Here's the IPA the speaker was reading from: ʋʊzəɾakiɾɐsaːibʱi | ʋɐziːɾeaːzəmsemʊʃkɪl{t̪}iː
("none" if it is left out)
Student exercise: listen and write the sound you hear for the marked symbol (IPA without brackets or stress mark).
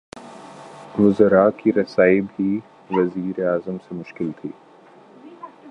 t̪ʰ